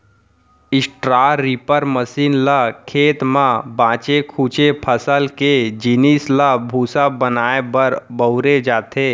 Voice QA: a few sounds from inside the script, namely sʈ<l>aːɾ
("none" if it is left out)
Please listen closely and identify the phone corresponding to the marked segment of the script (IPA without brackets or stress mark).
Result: ɾ